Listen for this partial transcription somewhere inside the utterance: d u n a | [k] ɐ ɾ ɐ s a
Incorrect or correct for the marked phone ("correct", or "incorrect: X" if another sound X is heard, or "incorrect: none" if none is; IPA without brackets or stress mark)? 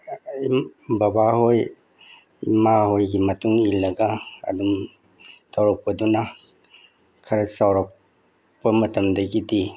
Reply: incorrect: kʰ